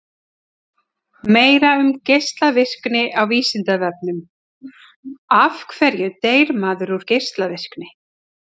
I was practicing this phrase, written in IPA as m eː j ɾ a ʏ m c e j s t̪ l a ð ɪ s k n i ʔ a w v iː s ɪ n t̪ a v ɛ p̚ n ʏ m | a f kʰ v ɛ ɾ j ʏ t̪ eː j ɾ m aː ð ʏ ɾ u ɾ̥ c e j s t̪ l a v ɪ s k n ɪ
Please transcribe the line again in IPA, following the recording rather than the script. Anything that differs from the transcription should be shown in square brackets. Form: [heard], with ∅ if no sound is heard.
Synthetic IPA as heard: m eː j ɾ a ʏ m c e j s t̪ l a [v] ɪ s k n [ɪ] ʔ a w v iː s ɪ n t̪ a v ɛ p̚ n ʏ m | a f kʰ v ɛ ɾ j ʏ t̪ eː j ɾ m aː ð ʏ ɾ u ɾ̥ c e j s t̪ l a v ɪ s k n ɪ